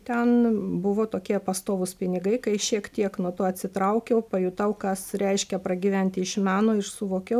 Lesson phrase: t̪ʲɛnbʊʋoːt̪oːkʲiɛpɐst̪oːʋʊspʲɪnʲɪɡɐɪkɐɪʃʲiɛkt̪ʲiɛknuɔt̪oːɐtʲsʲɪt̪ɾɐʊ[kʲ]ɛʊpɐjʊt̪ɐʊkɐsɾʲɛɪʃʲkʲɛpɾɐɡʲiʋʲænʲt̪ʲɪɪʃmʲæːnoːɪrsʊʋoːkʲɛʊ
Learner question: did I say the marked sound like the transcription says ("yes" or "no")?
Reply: yes